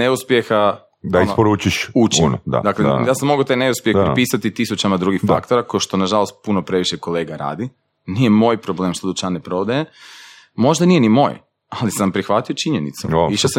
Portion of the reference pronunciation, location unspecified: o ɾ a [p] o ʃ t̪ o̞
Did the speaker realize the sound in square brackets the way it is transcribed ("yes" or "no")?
no